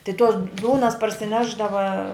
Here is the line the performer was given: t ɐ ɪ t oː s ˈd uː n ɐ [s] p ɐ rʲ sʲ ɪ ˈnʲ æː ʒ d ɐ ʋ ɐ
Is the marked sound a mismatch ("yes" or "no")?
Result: no